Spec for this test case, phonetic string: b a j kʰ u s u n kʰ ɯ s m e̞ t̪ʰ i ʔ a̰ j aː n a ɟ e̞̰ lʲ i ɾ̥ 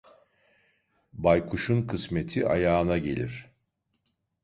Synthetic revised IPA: b a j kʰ u ʃ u n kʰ ɯ s m e̞ t̪ʰ i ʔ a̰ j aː n a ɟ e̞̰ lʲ i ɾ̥